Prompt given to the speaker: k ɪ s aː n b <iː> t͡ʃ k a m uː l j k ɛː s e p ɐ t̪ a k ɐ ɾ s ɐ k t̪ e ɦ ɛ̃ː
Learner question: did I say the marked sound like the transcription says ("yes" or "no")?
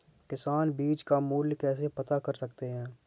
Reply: yes